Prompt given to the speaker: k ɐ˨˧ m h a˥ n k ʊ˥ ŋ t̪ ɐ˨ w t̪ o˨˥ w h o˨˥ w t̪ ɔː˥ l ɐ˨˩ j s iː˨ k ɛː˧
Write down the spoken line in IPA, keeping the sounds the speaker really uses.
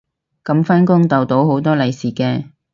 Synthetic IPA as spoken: k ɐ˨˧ m f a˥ n k ʊ˥ ŋ t̪ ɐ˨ w t̪ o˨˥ w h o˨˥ w t̪ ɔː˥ l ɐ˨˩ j s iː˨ k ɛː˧